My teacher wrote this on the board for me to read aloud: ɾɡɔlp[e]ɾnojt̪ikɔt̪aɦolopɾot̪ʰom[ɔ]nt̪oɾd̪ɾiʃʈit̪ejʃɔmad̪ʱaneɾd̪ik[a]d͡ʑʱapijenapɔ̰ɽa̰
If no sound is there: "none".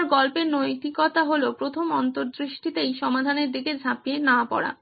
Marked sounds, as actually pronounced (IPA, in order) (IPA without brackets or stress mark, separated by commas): e, ɔ, e